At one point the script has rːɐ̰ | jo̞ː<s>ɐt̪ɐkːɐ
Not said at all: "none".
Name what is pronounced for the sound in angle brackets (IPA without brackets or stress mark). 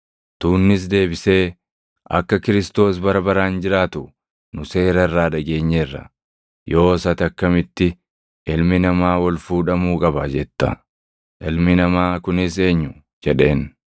s